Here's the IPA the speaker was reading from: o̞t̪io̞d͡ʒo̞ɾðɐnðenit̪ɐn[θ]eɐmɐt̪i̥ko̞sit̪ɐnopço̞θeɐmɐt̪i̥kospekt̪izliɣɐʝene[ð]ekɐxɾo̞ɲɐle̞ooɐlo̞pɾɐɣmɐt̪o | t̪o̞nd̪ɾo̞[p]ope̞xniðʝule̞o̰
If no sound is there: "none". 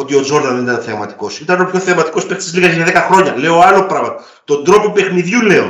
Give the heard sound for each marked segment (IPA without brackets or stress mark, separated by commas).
θ, ð, p